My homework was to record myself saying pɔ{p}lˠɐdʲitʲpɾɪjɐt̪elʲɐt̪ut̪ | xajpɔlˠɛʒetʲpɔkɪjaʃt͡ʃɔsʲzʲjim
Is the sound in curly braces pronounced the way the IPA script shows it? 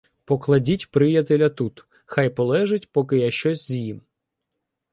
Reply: no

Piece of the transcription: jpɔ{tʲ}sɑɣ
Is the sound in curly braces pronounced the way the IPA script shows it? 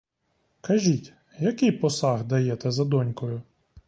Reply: no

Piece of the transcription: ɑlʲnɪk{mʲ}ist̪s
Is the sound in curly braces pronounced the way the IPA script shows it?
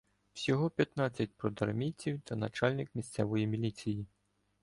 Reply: yes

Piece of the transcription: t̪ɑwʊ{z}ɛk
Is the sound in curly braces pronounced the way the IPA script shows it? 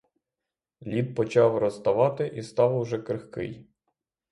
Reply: no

